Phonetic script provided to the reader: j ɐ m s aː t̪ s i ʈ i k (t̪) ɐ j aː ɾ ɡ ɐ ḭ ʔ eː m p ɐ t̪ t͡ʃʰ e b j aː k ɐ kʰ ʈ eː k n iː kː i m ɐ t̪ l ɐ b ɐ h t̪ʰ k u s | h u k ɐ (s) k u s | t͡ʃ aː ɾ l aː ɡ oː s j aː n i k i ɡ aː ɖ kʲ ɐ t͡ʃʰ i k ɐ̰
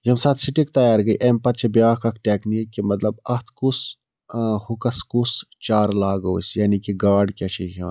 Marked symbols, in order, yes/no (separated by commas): yes, yes